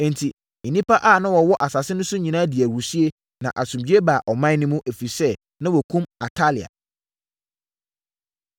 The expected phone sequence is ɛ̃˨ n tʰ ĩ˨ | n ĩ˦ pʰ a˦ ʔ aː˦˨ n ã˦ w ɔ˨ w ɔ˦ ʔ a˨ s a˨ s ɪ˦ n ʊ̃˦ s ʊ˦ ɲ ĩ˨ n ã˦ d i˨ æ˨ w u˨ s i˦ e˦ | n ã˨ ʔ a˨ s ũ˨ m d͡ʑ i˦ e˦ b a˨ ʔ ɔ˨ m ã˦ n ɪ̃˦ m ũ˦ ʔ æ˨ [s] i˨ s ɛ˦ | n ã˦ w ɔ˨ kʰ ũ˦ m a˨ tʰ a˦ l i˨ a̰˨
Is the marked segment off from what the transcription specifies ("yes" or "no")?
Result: yes